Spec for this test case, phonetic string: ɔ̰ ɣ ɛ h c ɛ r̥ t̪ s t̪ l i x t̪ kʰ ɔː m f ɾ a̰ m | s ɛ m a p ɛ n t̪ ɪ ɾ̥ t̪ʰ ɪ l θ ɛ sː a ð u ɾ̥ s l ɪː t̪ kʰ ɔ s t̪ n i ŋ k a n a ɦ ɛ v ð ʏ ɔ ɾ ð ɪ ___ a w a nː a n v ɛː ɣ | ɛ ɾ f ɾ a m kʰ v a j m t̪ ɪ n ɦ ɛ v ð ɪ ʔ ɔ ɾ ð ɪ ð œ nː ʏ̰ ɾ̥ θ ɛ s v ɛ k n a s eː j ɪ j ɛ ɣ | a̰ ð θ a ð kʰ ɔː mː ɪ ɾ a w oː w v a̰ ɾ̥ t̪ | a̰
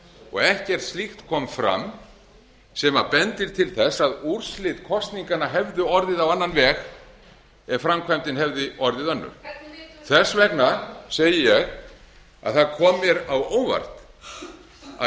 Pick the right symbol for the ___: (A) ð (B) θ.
A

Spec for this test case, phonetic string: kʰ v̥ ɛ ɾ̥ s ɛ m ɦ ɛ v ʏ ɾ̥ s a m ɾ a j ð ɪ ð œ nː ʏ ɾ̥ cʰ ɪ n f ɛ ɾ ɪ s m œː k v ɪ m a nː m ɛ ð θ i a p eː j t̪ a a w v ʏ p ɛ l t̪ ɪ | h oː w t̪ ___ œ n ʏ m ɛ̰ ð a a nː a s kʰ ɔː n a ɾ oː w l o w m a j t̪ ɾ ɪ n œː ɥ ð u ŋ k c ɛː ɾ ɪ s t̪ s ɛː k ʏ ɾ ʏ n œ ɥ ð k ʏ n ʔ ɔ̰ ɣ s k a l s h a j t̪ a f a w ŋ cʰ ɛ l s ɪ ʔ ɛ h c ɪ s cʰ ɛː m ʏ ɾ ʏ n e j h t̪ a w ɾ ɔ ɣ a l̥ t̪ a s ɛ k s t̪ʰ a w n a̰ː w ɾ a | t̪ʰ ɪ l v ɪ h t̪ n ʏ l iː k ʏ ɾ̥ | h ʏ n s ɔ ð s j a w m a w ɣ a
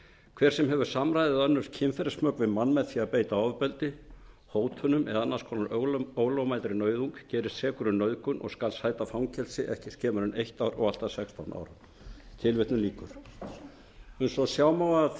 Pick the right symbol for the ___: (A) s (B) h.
B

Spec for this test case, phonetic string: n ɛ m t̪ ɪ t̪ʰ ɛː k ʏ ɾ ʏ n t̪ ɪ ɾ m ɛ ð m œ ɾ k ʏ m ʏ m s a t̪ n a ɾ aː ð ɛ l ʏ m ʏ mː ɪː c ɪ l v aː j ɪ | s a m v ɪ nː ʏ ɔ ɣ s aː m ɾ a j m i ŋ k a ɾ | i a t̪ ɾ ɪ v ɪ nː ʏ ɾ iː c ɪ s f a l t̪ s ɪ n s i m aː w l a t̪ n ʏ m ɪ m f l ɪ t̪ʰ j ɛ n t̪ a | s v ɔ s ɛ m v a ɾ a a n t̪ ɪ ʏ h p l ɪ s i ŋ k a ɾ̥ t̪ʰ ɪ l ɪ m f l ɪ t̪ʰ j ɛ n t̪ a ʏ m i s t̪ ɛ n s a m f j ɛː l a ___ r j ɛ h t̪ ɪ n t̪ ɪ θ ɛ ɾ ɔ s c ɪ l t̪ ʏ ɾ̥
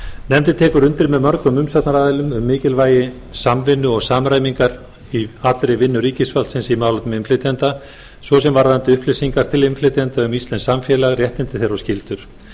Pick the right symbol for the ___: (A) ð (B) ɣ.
B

